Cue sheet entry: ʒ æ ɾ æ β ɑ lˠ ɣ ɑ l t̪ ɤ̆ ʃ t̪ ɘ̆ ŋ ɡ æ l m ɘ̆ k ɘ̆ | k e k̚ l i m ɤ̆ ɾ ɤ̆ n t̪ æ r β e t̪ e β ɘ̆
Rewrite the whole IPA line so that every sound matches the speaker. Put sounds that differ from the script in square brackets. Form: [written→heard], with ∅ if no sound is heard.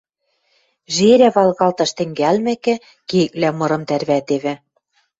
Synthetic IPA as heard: ʒ [æ→e] ɾ æ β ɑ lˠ ɣ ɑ l t̪ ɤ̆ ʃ t̪ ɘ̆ ŋ ɡ æ l m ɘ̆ k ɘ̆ | k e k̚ l [i→æ] m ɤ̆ ɾ ɤ̆ [n→m] t̪ æ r β [e→æ] t̪ e β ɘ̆

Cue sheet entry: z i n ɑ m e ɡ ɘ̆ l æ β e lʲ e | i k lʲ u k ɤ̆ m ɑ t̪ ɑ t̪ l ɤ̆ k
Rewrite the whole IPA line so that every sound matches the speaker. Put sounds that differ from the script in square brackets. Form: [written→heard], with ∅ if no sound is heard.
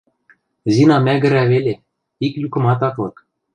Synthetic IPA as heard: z i n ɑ m [e→æ] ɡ ɘ̆ [l→ɾ] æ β e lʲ e | i k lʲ u k ɤ̆ m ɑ t̪ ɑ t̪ l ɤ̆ k

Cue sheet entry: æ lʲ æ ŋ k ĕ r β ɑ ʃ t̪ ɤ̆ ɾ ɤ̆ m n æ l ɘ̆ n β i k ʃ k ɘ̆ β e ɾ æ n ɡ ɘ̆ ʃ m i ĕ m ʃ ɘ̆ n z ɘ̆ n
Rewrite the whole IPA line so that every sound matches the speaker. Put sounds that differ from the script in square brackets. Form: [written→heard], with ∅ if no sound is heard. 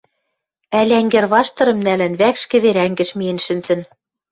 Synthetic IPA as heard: æ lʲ æ ŋ [k→ɡ] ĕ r β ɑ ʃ t̪ ɤ̆ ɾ ɤ̆ m n æ l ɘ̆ n β [i→æ] k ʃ k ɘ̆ β e ɾ æ [n→ŋ] ɡ ɘ̆ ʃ m i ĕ [m→n] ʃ ɘ̆ n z ɘ̆ n

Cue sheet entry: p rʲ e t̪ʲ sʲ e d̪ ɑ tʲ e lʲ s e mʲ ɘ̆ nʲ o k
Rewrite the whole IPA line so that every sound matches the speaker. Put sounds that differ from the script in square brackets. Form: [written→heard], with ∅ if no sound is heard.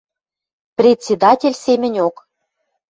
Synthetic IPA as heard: p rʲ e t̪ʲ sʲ e d̪ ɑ tʲ e lʲ s e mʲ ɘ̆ nʲ o k

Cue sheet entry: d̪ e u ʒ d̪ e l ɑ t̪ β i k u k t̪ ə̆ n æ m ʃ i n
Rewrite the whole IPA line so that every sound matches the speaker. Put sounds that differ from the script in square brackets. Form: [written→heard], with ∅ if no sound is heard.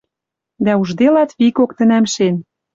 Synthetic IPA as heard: d̪ [e→æ] u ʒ d̪ e l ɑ t̪ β i k [u→o] k t̪ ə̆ n æ m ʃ [i→e] n

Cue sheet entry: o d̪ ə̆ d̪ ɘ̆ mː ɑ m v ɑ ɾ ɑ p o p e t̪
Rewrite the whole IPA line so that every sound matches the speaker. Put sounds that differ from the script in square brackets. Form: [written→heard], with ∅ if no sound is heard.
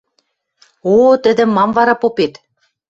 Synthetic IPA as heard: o [d̪→t̪] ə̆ d̪ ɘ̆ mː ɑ m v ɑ ɾ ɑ p o p e t̪

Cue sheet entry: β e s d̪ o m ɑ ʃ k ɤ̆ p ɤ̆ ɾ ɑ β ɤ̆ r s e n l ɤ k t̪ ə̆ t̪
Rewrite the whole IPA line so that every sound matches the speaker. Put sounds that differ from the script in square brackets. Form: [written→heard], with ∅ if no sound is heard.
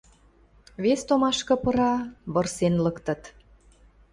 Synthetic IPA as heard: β e s [d̪→t̪] o m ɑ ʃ k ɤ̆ p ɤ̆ ɾ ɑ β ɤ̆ r s e n l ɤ k t̪ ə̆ t̪

